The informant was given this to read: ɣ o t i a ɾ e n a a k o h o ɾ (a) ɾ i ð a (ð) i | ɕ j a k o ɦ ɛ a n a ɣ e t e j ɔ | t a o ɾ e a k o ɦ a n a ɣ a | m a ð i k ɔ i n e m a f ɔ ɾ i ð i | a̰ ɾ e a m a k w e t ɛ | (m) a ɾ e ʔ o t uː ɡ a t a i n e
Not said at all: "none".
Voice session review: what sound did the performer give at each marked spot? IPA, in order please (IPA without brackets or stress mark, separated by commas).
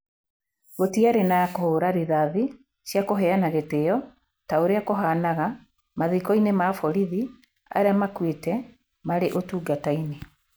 a, ð, m